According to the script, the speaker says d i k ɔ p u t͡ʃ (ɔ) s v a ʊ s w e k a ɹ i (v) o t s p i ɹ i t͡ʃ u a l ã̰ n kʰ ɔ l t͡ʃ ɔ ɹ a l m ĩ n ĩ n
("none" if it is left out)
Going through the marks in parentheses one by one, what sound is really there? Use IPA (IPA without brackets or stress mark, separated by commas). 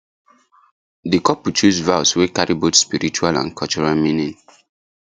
u, b